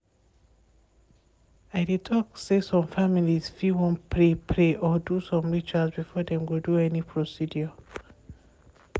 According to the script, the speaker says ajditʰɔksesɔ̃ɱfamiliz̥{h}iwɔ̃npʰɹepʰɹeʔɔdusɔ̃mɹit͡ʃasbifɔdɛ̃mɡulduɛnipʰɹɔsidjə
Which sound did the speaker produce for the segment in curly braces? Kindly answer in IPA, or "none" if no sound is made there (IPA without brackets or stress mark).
f